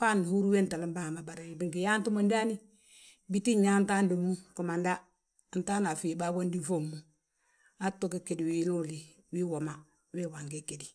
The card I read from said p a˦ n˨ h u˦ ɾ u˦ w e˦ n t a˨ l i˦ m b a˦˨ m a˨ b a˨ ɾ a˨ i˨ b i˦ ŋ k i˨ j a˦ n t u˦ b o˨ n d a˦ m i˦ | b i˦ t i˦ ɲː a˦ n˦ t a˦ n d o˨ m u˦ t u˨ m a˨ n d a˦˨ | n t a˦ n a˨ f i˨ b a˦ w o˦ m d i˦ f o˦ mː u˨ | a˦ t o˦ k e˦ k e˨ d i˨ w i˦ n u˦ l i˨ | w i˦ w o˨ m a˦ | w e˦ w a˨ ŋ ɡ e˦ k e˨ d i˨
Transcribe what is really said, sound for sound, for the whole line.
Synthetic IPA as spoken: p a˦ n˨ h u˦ ɾ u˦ w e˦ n t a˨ l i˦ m b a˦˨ m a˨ b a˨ ɾ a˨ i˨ b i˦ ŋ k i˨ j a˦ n t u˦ m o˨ n d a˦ n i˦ | b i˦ t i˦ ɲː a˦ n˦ t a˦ n d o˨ m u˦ k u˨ m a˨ n d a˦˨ | n t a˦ n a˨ f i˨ b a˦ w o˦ n d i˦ f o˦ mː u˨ | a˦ t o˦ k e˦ k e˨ d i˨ w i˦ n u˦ l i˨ | w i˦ w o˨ m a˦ | w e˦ w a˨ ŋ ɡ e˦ k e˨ d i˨

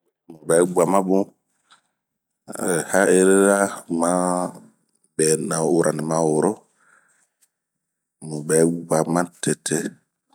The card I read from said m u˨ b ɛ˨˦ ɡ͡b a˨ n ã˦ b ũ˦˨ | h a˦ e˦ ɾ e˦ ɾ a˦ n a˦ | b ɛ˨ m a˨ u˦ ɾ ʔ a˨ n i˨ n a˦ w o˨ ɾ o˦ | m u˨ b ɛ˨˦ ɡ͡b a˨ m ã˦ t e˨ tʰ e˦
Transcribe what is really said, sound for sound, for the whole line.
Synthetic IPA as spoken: m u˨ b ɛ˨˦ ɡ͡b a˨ m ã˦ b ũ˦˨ | h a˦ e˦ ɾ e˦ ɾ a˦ m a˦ | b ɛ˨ n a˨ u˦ ɾ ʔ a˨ n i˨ m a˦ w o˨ ɾ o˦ | m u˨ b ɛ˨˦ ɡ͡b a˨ m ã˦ t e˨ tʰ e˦

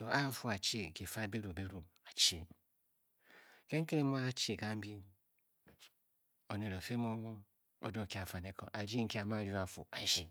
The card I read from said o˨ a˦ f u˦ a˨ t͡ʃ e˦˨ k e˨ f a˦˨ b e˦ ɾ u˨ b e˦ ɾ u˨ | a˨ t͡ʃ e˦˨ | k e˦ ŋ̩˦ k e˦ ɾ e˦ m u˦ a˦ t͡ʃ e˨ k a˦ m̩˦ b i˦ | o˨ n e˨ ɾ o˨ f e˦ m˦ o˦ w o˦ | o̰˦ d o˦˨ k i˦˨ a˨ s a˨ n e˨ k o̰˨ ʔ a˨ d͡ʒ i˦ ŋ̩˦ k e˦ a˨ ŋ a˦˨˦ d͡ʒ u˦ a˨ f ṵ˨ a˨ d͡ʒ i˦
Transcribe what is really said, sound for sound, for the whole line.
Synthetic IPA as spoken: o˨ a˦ f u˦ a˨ t͡ʃ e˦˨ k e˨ f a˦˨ b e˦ ɾ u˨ b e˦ ɾ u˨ | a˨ t͡ʃ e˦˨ | k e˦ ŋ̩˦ k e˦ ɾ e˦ m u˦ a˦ t͡ʃ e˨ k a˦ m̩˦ b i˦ | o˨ n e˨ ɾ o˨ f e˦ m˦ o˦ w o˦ | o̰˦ d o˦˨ k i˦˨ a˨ f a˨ n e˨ k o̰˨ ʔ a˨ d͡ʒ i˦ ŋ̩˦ k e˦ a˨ m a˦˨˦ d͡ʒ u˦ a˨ f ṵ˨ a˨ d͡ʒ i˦

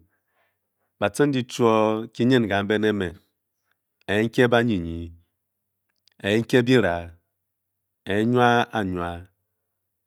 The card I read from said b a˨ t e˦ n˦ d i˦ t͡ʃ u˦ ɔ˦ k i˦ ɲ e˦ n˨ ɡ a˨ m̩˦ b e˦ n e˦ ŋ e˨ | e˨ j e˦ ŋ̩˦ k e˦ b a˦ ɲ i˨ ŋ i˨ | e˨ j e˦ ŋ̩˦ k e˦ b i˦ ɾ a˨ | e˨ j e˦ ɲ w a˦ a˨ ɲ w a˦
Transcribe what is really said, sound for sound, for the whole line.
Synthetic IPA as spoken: b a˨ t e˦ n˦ d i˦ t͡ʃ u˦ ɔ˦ k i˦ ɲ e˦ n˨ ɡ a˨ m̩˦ b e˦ n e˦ m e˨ | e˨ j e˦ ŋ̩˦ k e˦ b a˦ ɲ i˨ ɲ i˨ | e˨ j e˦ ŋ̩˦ k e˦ b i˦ ɾ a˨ | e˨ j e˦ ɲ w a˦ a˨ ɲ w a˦

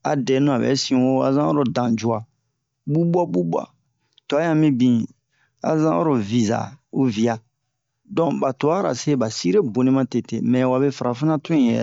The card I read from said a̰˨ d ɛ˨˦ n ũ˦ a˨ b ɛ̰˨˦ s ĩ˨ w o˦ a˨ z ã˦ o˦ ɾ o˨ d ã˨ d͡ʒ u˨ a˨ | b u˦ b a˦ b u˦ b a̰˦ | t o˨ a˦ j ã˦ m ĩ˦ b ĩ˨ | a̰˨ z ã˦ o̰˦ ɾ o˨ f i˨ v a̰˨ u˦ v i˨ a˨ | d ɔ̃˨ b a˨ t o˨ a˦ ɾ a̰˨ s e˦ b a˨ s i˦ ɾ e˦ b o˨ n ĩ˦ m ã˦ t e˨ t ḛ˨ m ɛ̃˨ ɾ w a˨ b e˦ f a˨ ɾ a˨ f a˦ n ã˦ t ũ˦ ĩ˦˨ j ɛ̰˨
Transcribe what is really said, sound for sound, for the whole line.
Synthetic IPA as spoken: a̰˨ d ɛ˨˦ n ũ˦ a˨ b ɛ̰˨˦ s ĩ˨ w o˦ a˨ z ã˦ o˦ ɾ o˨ d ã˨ d͡ʒ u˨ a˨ | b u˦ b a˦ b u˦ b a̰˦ | t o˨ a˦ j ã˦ m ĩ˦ b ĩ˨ | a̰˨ z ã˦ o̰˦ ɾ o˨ v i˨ z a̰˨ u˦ v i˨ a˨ | d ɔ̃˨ b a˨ t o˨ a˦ ɾ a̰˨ s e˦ b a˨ s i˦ ɾ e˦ b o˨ n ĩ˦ m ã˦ t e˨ t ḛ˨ m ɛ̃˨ w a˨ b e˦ f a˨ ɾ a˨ f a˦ n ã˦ t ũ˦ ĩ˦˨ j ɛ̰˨

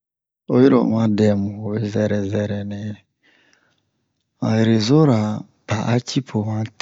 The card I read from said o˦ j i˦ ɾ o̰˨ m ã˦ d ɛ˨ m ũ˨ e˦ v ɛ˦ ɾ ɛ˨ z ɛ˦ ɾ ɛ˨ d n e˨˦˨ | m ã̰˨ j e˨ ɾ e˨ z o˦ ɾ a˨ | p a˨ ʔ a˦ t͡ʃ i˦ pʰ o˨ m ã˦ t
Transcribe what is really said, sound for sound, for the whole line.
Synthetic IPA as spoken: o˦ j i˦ ɾ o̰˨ m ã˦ d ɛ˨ m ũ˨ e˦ z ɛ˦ ɾ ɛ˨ z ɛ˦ ɾ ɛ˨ n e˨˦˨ | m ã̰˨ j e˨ ɾ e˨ z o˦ ɾ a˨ | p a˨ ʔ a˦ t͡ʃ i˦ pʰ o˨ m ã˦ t

